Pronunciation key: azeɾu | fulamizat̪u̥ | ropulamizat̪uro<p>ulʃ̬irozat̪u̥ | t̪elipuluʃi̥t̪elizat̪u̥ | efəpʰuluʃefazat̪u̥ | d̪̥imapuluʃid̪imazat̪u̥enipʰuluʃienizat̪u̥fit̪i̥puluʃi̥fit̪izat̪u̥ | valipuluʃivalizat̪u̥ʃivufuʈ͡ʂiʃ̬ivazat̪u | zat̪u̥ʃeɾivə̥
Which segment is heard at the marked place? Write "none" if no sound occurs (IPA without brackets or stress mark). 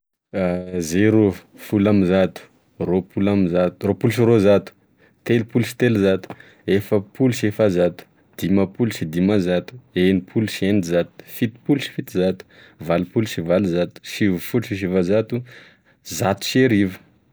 p